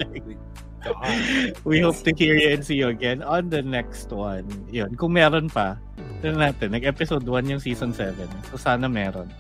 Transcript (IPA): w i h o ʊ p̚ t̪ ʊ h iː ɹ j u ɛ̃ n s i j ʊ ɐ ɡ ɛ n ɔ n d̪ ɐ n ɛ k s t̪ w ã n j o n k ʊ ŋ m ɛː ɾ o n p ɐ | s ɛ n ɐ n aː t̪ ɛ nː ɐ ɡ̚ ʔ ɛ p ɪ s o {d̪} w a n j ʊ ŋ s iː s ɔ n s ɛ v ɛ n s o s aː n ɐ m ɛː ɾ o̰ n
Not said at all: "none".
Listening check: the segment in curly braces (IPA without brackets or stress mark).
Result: d̪